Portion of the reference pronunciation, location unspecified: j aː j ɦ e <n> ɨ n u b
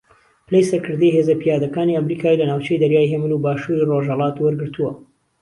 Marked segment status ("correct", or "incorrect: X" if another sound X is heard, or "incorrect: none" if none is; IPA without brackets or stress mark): incorrect: m